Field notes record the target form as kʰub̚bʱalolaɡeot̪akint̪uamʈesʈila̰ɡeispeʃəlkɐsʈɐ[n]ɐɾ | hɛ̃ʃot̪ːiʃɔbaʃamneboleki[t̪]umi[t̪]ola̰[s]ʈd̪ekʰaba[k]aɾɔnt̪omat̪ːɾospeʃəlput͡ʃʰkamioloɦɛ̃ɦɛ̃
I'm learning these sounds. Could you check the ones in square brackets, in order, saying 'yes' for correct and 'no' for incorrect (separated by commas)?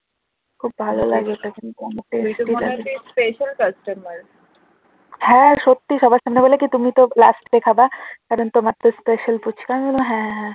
no, yes, yes, yes, yes